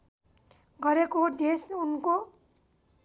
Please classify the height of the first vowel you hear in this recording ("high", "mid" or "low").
mid